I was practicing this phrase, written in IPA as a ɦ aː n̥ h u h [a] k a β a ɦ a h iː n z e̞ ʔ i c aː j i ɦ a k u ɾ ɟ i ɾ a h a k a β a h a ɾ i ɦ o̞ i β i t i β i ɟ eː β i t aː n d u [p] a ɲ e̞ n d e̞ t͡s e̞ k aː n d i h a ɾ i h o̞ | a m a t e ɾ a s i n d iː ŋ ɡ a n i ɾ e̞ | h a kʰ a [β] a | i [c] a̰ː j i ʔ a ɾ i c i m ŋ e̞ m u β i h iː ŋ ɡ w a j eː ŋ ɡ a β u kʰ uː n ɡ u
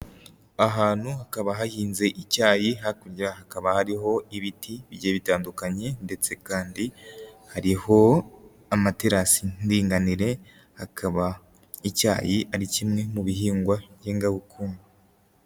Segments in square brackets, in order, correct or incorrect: correct, incorrect: k, correct, correct

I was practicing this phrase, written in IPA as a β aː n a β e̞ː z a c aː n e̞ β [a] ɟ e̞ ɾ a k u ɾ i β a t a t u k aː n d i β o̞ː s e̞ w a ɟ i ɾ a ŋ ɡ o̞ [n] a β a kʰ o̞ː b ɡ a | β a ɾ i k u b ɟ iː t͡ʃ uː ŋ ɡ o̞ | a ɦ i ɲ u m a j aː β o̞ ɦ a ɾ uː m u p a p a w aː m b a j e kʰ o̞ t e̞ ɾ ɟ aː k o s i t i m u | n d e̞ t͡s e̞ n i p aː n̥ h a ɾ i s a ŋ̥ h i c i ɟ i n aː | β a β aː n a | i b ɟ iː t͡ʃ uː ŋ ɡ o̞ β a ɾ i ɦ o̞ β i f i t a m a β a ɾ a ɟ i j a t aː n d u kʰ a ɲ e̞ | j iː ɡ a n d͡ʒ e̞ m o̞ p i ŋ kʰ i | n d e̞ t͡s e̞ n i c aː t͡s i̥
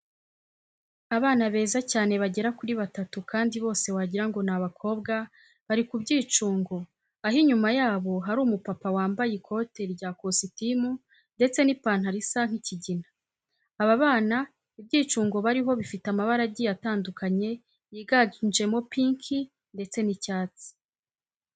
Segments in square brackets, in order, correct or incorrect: correct, correct

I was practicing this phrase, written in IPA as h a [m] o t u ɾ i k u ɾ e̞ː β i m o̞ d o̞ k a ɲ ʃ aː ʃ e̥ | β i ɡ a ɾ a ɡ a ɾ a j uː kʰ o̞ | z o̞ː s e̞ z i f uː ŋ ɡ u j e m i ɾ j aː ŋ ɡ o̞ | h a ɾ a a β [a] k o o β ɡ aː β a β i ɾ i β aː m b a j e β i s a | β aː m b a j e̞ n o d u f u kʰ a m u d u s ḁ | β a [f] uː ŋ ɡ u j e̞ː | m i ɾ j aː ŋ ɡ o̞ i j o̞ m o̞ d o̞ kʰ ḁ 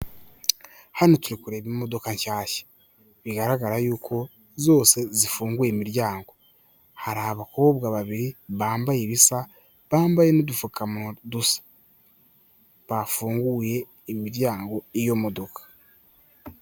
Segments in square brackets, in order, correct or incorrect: incorrect: n, correct, correct

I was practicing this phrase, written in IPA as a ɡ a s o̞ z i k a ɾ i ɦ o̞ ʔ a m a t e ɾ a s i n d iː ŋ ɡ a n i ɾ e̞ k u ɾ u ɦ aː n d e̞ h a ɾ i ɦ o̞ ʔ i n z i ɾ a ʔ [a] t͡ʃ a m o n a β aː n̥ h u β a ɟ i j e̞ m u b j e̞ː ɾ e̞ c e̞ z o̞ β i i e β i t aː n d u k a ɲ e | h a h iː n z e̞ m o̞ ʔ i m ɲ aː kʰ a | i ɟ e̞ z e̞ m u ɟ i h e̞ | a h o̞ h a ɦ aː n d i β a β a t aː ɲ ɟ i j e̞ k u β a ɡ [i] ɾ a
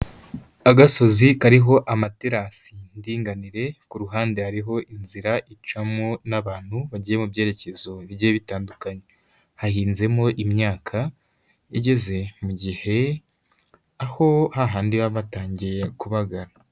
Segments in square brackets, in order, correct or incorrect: incorrect: i, incorrect: a

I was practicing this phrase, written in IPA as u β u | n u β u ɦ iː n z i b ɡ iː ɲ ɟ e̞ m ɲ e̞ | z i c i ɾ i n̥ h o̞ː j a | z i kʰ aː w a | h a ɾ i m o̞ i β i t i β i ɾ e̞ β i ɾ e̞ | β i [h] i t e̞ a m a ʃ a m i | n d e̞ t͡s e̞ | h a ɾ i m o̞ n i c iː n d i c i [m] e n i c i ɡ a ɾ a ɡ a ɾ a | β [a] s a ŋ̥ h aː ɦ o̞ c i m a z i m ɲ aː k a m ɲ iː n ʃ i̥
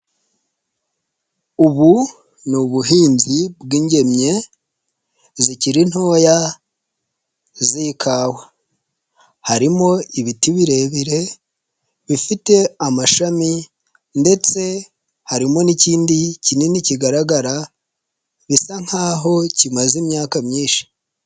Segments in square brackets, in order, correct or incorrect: incorrect: f, incorrect: n, incorrect: i

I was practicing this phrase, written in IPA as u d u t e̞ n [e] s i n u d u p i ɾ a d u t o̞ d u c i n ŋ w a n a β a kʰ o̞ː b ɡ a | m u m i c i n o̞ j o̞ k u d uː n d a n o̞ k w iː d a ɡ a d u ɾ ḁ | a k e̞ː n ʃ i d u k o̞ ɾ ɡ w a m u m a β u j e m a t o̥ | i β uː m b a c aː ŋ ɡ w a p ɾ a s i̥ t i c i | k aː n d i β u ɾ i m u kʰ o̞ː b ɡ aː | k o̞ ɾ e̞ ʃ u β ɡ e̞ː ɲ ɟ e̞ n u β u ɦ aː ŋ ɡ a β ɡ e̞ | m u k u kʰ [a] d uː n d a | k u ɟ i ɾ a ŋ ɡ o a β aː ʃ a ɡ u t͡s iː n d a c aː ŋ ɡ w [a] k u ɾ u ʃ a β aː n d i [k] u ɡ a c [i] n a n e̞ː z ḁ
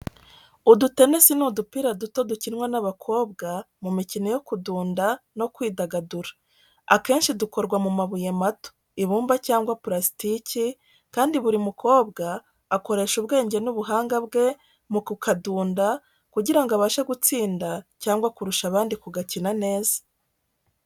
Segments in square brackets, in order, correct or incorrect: correct, correct, correct, correct, correct

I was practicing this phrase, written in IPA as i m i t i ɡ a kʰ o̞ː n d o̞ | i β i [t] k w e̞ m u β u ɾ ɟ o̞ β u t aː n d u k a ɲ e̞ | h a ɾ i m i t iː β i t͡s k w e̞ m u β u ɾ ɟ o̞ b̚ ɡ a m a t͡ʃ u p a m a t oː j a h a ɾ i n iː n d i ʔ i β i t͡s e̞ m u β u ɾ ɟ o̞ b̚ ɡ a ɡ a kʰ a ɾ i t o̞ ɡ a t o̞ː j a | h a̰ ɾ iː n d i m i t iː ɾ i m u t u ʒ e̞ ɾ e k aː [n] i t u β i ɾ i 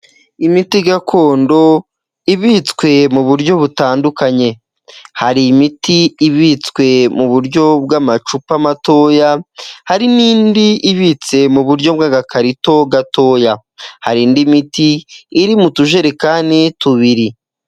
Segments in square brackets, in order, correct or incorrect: incorrect: t͡s, correct

